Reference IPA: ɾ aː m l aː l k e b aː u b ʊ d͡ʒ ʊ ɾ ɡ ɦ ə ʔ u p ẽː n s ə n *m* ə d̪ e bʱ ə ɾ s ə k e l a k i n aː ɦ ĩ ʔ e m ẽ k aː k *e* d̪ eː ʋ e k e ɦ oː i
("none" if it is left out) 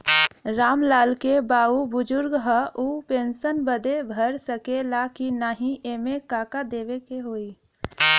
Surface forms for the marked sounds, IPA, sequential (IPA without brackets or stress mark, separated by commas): b, a